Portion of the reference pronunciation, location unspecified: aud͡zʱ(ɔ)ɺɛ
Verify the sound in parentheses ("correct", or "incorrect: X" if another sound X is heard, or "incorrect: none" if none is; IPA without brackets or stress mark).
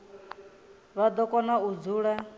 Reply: incorrect: u